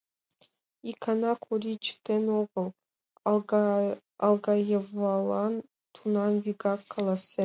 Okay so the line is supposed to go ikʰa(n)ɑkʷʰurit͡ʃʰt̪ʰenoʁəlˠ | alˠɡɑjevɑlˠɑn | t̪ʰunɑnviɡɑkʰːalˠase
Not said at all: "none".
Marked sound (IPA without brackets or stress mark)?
n